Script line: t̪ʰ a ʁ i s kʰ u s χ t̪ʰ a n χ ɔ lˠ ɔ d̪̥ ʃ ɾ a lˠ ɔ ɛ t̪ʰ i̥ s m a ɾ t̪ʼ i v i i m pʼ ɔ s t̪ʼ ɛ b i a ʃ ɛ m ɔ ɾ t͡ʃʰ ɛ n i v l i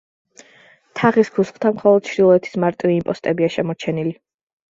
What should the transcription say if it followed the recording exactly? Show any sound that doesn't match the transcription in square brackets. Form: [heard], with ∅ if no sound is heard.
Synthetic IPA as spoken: t̪ʰ a ʁ i s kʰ u s χ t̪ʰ a [m] χ ɔ lˠ ɔ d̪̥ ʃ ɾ [i] lˠ ɔ ɛ t̪ʰ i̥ s m a ɾ t̪ʼ i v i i m pʼ ɔ s t̪ʼ ɛ b i a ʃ ɛ m ɔ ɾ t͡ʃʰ ɛ n i [∅] l i